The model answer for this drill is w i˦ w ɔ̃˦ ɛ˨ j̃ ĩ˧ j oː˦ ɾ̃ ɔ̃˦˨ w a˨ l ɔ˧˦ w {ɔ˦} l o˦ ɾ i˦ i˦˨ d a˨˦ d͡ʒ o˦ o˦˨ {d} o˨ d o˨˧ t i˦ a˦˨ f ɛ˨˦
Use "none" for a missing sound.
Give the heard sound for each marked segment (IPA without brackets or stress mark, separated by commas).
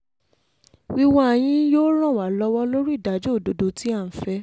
ɔ˦, d